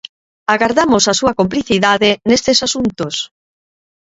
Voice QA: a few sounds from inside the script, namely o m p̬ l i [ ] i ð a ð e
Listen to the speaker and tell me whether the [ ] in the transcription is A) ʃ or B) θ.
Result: B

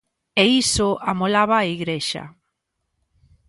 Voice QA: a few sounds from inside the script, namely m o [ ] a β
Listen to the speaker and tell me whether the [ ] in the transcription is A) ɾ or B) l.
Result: B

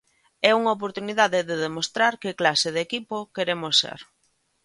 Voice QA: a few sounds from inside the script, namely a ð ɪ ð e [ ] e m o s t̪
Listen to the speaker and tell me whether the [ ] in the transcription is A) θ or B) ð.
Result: B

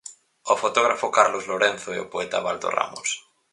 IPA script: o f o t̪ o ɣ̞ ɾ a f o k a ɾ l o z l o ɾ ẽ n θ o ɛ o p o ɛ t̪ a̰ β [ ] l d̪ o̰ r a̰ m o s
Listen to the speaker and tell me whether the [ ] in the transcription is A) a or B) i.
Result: A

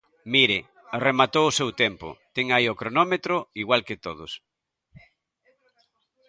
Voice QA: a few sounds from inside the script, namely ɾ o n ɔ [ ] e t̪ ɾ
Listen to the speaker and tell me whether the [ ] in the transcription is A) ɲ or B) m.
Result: B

